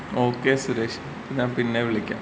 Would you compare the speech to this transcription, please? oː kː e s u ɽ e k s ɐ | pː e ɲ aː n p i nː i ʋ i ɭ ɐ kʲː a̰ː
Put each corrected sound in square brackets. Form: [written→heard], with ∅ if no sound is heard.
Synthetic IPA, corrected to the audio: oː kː e s u [ɽ→ɾ] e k [s→ʂ] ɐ | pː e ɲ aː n p i nː [i→e] ʋ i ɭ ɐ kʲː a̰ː